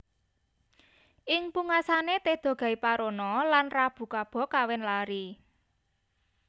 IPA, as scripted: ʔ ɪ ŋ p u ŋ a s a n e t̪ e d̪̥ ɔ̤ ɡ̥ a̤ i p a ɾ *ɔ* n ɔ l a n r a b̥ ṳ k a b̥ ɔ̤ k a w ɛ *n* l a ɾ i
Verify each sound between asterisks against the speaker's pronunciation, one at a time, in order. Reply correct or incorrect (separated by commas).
incorrect, correct